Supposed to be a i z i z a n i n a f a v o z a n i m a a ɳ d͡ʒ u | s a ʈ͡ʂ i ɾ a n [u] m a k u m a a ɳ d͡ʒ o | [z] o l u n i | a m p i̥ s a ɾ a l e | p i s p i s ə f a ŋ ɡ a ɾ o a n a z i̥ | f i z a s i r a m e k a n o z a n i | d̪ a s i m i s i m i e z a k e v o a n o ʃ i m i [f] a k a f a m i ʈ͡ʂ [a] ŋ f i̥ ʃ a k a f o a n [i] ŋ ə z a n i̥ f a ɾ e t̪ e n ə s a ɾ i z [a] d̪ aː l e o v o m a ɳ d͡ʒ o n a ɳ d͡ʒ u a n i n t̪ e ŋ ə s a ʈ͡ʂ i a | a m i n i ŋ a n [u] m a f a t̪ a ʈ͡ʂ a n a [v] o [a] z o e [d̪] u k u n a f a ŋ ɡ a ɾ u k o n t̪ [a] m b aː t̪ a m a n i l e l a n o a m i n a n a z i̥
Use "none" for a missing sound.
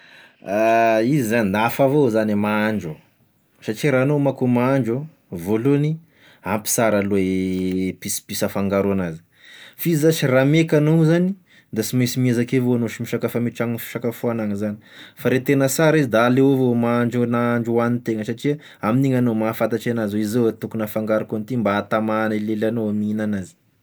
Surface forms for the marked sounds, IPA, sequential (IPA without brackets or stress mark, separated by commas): o, v, ʃ, a, a, i, o, z, i, t̪, i